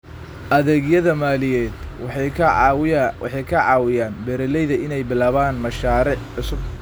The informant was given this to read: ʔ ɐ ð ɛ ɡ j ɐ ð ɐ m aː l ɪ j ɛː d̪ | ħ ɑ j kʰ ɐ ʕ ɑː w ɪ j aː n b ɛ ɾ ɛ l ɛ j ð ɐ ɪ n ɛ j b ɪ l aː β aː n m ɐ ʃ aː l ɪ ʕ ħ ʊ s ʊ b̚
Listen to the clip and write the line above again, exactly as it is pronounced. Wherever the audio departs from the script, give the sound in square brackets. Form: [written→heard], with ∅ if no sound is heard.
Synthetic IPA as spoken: ʔ ɐ ð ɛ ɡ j ɐ ð ɐ m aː l ɪ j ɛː d̪ | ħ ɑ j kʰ ɐ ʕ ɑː w ɪ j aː n b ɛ ɾ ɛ l ɛ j ð ɐ ɪ n ɛ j b ɪ l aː β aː n m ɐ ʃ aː [l→ɾ] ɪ ʕ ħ ʊ s ʊ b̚